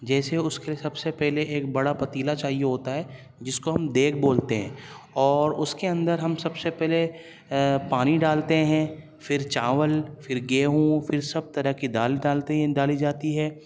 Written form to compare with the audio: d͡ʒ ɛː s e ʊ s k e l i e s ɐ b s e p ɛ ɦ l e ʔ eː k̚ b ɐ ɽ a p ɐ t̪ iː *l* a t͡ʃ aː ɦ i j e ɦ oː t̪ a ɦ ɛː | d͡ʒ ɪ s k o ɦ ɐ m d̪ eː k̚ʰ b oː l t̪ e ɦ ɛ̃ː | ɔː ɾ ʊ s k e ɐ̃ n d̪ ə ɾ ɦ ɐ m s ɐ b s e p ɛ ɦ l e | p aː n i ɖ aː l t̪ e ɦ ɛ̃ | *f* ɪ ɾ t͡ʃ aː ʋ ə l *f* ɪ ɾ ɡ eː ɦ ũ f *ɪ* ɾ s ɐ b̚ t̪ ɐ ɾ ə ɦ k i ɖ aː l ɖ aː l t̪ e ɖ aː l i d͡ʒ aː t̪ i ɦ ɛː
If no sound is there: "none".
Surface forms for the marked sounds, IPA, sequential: l, f, f, ɪ

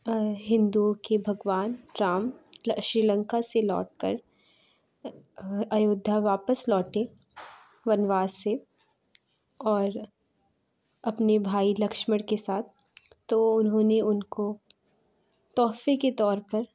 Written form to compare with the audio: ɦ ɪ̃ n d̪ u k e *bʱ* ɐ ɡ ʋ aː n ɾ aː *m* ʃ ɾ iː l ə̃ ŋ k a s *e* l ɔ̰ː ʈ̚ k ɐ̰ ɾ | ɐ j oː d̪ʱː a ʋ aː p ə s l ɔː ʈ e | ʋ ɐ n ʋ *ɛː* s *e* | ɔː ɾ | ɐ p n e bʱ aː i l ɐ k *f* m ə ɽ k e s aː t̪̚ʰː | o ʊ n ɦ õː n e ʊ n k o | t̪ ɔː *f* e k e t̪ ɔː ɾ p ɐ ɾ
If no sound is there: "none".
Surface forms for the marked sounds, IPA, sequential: bʱ, m, e, aː, e, ʃ, f

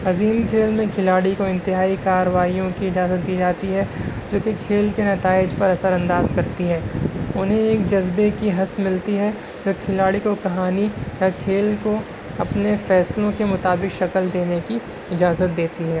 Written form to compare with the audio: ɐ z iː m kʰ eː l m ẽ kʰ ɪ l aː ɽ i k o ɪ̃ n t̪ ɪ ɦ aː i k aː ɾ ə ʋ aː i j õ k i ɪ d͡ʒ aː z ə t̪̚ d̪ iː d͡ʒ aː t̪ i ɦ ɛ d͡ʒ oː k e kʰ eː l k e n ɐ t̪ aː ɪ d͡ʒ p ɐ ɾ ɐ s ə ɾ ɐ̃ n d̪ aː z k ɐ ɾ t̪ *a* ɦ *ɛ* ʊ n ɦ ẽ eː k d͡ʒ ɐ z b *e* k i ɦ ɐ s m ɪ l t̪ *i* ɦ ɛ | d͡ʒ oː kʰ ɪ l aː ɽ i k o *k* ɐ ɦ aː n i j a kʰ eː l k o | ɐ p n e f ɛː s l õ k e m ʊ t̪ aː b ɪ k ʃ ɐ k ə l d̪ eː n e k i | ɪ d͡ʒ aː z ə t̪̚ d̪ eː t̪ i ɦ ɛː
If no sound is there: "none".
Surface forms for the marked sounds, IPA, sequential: i, ɛː, e, i, k

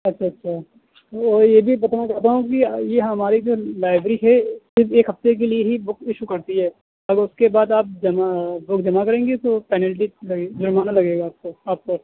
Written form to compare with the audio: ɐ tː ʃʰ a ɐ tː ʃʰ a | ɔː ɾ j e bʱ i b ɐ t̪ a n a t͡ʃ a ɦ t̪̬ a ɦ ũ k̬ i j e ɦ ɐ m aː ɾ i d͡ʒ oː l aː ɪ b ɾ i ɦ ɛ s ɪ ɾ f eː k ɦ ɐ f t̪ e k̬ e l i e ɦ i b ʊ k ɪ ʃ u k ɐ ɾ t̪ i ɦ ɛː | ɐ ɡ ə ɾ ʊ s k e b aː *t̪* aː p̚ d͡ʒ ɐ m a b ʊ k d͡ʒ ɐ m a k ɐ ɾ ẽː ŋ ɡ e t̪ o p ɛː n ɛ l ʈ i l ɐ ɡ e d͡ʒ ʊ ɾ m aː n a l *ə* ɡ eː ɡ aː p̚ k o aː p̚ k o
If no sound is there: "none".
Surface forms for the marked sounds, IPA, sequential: d̪, ɐ

